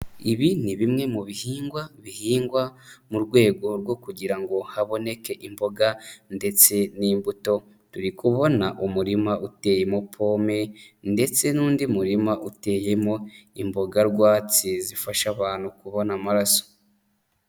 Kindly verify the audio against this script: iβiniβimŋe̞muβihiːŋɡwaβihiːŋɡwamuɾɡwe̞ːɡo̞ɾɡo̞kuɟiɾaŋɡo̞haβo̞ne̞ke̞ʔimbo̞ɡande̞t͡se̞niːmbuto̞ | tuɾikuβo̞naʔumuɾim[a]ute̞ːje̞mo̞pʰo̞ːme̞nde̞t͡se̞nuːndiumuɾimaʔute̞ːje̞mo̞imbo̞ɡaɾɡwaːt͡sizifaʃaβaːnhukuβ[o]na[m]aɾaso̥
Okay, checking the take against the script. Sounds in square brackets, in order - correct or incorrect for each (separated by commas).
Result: correct, correct, correct